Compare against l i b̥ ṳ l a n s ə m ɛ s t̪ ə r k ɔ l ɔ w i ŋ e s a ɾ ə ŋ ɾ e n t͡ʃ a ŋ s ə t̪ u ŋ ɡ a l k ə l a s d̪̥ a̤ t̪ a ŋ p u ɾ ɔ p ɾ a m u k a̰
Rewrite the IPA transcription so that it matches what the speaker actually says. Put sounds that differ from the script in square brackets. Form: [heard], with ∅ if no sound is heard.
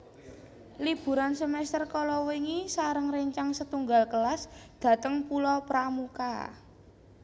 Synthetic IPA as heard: l i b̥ ṳ [ɾ] a n s ə m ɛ s t̪ ə r k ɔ l ɔ w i ŋ [i] s a ɾ ə ŋ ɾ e [ɲ] t͡ʃ a ŋ s ə t̪ u ŋ ɡ a l k ə l a s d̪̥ a̤ t̪ [ə] ŋ p u [l] ɔ p ɾ a m u k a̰